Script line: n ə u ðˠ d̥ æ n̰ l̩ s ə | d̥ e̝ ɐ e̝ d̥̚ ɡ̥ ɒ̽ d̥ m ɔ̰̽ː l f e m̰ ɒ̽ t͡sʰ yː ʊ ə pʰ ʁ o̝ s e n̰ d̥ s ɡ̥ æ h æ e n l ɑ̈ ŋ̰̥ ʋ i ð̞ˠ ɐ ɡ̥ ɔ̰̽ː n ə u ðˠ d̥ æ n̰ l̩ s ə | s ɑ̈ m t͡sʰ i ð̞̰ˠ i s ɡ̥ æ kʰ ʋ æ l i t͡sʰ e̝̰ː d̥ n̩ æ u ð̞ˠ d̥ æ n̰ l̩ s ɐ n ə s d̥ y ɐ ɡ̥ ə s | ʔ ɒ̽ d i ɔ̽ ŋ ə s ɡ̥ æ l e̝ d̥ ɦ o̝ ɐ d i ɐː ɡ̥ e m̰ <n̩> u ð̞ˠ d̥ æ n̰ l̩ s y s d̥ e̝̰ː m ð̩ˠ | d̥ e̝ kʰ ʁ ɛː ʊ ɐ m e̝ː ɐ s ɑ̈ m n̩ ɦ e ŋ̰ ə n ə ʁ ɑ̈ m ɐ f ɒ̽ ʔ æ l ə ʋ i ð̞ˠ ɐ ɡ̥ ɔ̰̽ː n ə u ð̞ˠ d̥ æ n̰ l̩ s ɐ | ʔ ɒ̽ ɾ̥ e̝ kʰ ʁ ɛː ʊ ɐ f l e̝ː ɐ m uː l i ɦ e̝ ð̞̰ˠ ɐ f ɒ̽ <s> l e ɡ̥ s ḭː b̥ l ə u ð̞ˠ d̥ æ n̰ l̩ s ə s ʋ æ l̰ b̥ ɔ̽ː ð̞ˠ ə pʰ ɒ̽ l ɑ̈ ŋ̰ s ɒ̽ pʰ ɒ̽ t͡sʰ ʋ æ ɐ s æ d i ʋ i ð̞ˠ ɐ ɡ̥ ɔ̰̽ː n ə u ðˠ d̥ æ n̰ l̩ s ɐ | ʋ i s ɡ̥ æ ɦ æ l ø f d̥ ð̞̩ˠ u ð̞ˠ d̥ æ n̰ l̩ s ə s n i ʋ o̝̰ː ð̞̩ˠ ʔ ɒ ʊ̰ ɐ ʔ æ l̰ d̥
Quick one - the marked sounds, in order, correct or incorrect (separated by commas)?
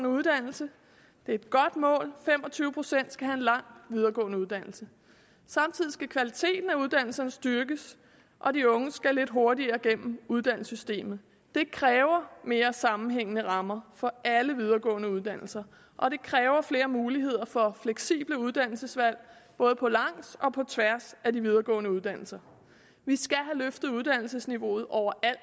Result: incorrect, incorrect